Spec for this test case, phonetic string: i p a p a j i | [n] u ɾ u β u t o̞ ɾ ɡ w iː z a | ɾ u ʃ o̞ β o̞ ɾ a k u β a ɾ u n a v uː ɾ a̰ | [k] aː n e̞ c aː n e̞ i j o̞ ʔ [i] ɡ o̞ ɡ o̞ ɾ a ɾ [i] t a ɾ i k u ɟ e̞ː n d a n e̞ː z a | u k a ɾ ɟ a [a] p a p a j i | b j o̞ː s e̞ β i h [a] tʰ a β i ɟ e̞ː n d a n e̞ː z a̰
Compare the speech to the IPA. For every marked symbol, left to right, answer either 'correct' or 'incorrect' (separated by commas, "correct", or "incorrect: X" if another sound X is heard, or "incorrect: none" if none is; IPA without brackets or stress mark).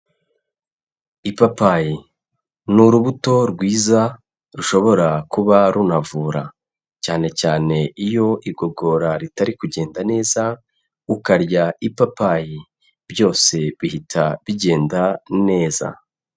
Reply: correct, incorrect: c, correct, correct, incorrect: i, incorrect: i